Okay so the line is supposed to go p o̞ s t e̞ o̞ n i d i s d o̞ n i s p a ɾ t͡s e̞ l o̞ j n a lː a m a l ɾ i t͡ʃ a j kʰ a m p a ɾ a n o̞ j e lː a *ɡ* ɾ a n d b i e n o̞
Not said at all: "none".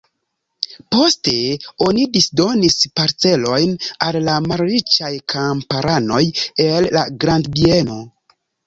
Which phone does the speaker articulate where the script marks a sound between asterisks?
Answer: ɡ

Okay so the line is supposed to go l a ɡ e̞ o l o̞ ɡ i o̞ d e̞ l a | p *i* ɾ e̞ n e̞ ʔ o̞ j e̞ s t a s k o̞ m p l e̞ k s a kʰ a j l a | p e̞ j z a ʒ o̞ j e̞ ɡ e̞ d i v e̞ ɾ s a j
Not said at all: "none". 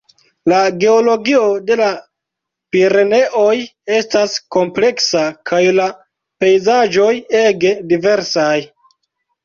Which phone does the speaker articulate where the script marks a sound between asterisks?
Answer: i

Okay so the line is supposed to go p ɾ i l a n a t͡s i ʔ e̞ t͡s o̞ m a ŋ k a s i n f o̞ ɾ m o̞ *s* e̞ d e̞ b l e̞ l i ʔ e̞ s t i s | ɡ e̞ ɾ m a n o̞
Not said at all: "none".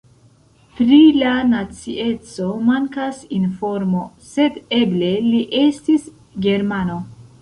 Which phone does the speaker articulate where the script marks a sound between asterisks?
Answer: s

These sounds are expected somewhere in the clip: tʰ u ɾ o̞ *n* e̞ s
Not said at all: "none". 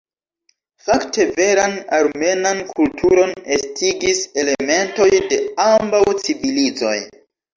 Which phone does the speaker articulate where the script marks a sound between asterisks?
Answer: n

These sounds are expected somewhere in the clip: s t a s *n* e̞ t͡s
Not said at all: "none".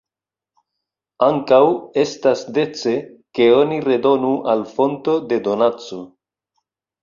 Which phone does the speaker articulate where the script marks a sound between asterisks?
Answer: d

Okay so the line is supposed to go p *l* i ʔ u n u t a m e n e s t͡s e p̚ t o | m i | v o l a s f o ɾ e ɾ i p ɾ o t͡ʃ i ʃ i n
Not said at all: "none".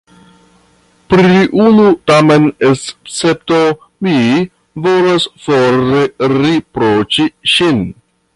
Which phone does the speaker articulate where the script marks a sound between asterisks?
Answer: ɾ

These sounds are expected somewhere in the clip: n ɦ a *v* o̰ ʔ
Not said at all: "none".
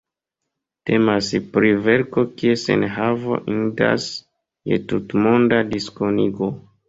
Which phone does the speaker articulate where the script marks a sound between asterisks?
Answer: v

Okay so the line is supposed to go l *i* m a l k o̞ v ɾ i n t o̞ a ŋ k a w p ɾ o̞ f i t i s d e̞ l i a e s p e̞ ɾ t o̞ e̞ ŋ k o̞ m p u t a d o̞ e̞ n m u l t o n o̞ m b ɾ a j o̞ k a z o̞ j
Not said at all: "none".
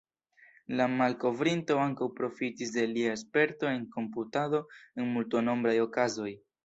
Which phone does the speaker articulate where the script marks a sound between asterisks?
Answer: a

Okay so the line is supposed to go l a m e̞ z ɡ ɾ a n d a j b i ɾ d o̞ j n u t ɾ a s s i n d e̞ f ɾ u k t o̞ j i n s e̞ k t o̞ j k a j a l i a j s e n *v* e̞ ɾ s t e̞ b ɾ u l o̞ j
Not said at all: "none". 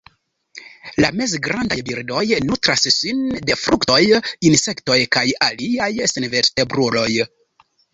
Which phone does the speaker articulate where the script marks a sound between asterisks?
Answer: v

